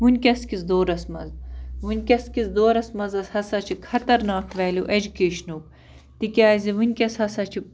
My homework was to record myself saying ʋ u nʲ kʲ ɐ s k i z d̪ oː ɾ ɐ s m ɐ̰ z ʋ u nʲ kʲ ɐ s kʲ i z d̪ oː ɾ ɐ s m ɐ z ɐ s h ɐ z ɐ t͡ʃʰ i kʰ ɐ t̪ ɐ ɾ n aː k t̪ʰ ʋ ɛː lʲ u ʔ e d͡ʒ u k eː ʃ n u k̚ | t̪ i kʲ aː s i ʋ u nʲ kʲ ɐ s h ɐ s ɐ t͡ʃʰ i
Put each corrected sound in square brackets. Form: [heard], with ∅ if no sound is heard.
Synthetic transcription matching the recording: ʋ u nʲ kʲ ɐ s k i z d̪ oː ɾ ɐ s m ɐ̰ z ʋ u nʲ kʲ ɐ s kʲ i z d̪ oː ɾ ɐ s m ɐ z ɐ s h ɐ [s] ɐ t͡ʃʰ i kʰ ɐ t̪ ɐ ɾ n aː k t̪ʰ ʋ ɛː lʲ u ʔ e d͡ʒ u k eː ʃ n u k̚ | t̪ i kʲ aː [z] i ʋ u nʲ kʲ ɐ s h ɐ s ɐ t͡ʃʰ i

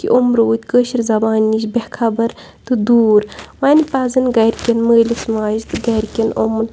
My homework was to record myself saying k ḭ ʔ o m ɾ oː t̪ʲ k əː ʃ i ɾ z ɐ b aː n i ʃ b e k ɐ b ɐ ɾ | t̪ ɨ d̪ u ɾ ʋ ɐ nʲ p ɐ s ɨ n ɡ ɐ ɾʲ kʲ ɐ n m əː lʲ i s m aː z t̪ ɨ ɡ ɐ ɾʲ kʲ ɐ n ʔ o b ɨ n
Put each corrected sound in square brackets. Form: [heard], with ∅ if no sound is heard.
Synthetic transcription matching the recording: k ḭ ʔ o m ɾ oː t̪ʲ k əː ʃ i ɾ z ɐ b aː n i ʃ b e [kʰ] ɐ b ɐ ɾ | t̪ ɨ d̪ [uː] ɾ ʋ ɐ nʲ p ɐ [z] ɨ n ɡ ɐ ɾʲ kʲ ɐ n m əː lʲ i s m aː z t̪ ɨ ɡ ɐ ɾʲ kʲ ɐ n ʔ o [m] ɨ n

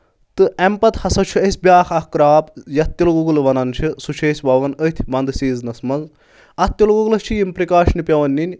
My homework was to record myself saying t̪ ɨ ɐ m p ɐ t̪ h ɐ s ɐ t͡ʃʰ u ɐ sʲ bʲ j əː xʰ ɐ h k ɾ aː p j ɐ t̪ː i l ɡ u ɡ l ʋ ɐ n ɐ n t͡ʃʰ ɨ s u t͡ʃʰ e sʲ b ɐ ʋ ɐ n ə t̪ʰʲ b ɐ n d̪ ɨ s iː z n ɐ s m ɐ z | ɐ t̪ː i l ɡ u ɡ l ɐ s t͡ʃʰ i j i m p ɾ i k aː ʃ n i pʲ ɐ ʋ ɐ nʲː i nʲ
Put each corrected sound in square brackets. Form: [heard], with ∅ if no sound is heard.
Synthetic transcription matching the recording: t̪ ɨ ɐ m p ɐ t̪ h ɐ s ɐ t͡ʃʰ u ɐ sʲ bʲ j [aː] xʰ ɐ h k ɾ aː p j ɐ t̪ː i l ɡ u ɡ l ʋ ɐ n ɐ n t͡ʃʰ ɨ s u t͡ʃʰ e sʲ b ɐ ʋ ɐ n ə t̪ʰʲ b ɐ n d̪ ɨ s iː z n ɐ s m ɐ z | ɐ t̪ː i l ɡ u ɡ l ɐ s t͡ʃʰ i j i m p ɾ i k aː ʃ n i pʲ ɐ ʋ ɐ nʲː i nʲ

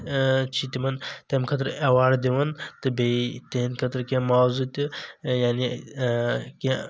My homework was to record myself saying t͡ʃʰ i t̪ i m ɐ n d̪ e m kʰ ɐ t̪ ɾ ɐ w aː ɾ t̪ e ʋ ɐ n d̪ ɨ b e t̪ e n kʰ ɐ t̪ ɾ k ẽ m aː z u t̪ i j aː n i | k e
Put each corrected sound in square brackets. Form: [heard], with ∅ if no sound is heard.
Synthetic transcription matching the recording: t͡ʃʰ i t̪ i m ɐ n [t̪] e m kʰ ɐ t̪ ɾ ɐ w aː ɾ [d̪] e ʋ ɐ n [t̪] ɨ b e t̪ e n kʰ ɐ t̪ ɾ k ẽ m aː z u t̪ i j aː n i | k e

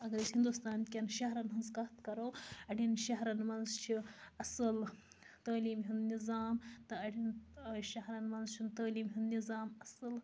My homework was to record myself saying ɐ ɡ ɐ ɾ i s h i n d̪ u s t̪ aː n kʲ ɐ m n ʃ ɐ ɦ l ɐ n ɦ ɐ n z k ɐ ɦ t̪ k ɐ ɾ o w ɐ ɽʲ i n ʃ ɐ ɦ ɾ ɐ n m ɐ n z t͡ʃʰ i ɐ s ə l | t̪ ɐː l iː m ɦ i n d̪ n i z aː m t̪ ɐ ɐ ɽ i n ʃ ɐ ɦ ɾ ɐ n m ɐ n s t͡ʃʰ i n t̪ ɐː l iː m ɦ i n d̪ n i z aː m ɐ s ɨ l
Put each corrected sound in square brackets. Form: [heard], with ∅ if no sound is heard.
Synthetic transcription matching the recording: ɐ ɡ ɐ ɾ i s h i n d̪ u s t̪ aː n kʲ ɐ [∅] n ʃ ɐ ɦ [ɾ] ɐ n ɦ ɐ n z k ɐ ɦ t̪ k ɐ ɾ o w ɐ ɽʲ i n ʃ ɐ ɦ ɾ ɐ n m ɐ n z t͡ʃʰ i ɐ s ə l | t̪ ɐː l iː m ɦ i n d̪ n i z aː m t̪ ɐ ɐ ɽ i n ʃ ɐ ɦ ɾ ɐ n m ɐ n [z] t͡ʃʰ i n t̪ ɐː l iː m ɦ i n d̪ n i z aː m ɐ s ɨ l

